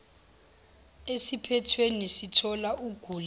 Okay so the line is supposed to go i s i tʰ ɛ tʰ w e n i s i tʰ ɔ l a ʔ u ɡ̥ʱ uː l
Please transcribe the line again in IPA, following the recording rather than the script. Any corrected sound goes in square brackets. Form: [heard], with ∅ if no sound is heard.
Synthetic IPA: [e] s i [pʰ] ɛ tʰ w e n i s i tʰ ɔ l a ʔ u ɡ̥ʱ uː l